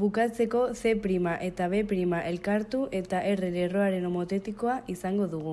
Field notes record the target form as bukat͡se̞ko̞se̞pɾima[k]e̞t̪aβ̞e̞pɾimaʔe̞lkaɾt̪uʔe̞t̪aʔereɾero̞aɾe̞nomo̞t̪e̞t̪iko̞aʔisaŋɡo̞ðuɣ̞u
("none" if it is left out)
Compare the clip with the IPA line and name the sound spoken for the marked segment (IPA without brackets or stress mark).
ʔ